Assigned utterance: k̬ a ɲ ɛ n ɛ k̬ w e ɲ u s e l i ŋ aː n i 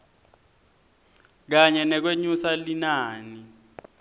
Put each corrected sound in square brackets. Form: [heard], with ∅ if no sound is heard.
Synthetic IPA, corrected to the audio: k̬ a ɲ ɛ n ɛ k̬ w e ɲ u s [a] l i [n] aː n i